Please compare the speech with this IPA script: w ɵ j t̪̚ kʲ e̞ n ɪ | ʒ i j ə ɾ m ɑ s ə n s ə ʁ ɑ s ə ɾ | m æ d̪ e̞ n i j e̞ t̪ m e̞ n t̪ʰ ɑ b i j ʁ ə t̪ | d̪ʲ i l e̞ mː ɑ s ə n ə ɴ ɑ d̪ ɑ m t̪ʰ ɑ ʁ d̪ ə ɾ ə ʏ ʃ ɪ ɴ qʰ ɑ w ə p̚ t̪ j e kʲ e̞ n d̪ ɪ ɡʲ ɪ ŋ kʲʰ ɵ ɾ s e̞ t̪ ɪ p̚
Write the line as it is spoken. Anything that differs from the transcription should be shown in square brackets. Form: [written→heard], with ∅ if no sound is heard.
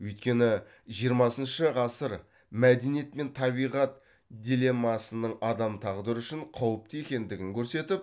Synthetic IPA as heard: w ɵ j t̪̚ kʲ e̞ n ɪ | ʒ i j ə ɾ m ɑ s ə n [s→ʃ] ə ʁ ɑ s ə ɾ | m æ d̪ e̞ n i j e̞ t̪ m e̞ n t̪ʰ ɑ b i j ʁ [ə→ɑ] t̪ | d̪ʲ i l e̞ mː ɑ s ə n ə ɴ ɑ d̪ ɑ m t̪ʰ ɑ ʁ d̪ ə ɾ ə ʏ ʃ ɪ ɴ qʰ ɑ w ə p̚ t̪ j e kʲ e̞ n d̪ ɪ ɡʲ ɪ ŋ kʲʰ ɵ ɾ s e̞ t̪ ɪ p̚